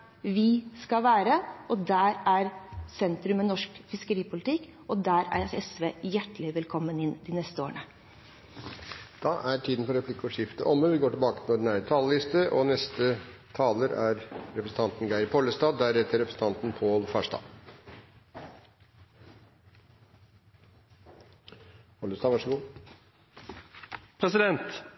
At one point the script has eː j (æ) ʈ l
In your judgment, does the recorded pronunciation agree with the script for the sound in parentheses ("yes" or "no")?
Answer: yes